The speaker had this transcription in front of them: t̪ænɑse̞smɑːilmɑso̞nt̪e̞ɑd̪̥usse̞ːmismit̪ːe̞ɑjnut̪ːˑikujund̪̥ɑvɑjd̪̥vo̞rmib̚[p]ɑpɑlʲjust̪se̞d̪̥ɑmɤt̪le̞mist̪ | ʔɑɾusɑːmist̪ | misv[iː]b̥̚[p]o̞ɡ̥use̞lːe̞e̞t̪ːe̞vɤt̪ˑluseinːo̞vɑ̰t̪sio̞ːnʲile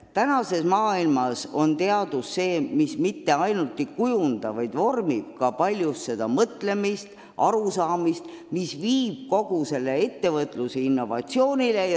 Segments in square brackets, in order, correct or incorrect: incorrect: k, correct, incorrect: k

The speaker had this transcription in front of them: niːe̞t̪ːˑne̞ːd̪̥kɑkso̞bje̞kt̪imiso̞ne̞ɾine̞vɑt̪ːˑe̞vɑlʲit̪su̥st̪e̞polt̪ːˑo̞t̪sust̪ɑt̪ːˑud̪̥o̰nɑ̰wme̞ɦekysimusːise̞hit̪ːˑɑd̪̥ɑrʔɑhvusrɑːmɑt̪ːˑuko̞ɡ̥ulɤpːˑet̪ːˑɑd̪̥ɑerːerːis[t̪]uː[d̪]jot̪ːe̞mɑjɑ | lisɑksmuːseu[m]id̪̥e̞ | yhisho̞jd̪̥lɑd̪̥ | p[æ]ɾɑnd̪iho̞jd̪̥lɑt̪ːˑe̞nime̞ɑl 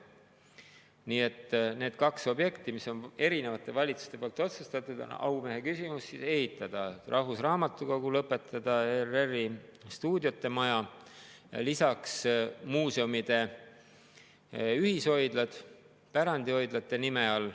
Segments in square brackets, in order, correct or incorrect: correct, correct, correct, correct

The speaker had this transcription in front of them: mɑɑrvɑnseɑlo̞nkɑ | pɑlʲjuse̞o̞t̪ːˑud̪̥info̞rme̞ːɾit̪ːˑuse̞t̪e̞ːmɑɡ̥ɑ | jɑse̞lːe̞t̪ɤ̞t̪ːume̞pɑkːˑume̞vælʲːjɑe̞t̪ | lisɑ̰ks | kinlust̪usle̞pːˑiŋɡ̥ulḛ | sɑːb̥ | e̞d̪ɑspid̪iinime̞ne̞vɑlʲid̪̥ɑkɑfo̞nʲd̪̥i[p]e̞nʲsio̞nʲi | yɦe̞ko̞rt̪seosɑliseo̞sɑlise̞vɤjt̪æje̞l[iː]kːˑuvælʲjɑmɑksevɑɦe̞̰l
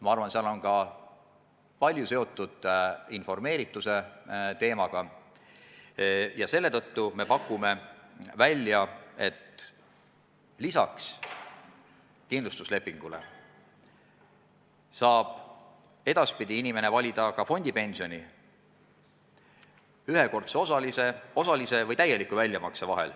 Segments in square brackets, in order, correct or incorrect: correct, incorrect: i

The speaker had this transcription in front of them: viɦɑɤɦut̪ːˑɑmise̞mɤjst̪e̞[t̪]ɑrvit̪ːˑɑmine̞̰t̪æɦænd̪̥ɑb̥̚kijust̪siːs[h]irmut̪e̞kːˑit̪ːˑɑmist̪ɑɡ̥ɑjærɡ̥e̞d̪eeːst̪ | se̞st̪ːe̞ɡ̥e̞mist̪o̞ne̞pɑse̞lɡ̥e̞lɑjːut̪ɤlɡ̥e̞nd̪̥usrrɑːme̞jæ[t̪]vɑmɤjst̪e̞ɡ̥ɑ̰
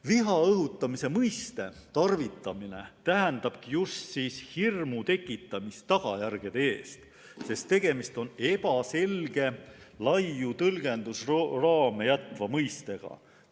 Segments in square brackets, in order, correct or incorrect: correct, correct, correct

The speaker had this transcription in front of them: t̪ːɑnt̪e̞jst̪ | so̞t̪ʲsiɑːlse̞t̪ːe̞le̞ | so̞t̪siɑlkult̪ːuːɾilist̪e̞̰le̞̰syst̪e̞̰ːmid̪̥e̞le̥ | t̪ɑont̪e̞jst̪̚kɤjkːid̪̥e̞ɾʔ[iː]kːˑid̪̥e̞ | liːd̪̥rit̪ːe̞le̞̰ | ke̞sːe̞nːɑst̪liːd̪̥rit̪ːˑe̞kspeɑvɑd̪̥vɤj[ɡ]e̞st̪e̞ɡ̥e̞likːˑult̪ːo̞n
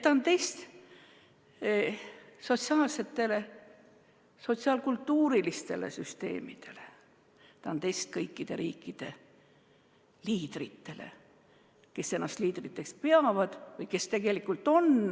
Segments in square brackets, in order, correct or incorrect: correct, incorrect: k

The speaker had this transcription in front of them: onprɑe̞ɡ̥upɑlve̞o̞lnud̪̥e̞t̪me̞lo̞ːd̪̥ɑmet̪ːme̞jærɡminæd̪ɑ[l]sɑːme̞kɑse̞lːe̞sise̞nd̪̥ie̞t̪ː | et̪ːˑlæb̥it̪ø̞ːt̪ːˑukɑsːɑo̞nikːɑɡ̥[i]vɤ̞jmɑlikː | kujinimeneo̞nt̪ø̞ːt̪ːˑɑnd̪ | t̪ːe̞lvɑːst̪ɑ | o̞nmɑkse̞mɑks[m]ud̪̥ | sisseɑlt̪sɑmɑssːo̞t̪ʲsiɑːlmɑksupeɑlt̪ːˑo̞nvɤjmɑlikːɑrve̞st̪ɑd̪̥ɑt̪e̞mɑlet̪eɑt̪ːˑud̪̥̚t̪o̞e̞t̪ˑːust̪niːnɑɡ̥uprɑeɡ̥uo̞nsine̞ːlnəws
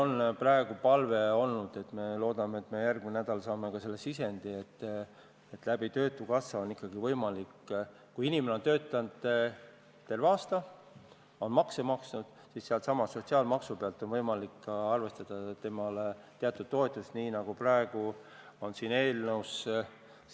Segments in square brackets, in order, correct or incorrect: correct, correct, incorrect: n

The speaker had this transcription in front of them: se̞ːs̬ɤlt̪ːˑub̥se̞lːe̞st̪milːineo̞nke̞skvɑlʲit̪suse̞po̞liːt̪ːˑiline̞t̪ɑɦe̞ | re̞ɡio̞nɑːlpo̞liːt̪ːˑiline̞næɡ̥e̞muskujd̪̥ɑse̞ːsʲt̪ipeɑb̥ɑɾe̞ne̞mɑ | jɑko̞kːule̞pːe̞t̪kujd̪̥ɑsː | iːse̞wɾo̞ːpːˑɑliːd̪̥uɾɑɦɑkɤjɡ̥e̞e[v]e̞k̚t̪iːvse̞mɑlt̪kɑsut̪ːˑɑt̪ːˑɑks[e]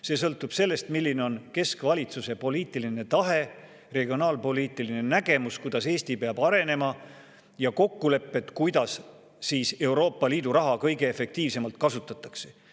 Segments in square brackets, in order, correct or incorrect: incorrect: f, correct

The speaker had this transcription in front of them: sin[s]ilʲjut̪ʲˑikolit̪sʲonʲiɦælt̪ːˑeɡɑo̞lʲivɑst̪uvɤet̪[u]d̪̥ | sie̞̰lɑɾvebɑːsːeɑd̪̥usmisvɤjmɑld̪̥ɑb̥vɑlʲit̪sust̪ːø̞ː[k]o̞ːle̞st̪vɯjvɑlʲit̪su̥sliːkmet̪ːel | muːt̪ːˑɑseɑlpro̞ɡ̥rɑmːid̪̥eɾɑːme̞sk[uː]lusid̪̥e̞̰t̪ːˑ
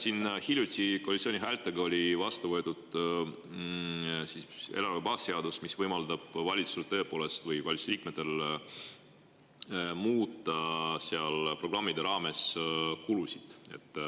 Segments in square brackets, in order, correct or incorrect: incorrect: h, correct, incorrect: p, incorrect: u

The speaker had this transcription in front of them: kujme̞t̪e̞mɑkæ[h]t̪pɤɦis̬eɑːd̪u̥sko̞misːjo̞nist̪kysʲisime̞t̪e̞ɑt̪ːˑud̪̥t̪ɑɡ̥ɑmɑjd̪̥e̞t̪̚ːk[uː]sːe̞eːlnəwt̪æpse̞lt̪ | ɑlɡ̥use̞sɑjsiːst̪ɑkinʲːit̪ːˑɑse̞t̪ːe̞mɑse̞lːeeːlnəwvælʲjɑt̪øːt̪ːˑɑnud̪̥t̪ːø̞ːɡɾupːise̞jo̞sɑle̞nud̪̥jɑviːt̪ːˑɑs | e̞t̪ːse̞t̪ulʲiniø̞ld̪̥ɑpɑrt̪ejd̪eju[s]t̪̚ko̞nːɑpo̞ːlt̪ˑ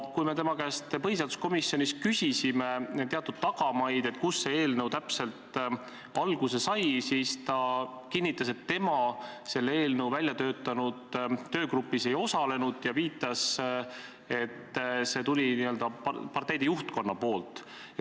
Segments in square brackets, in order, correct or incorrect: incorrect: s, incorrect: u, incorrect: h

